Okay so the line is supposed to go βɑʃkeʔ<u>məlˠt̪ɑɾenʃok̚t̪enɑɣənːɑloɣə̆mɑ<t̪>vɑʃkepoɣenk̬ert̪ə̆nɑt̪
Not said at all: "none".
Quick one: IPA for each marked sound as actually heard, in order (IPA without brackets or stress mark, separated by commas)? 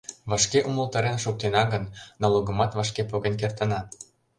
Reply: u, t̪